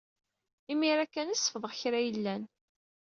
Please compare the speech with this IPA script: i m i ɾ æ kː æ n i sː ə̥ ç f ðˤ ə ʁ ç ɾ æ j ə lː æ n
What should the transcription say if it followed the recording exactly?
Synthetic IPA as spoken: i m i ɾ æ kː æ n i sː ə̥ f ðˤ ə ʁ ç ɾ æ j ə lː æ n